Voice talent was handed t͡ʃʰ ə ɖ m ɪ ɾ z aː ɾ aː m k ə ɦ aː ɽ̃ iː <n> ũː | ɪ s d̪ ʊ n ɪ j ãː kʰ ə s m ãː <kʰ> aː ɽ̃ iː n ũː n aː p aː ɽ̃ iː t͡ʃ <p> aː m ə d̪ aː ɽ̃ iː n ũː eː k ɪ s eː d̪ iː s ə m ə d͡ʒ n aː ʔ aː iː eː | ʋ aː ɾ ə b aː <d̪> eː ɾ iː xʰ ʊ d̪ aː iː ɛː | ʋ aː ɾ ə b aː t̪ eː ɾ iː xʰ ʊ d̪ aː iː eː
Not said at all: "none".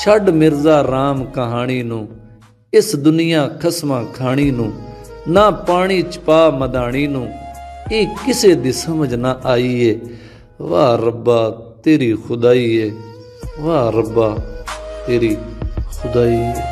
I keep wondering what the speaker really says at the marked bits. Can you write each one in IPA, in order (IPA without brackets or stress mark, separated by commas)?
n, kʰ, p, t̪